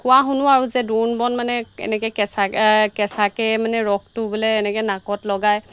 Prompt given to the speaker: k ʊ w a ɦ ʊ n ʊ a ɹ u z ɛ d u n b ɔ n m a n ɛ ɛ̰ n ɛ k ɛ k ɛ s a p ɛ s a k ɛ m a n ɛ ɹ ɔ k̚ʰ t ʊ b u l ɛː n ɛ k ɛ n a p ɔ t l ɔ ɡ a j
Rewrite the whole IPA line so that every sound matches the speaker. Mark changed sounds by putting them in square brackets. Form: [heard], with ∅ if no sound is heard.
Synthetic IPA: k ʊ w a ɦ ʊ n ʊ a ɹ u z ɛ d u n b ɔ n m a n ɛ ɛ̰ n ɛ k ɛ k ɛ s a [k] ɛ s a k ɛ m a n ɛ ɹ ɔ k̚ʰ t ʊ b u l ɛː n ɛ k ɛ n a [k] ɔ t l ɔ ɡ a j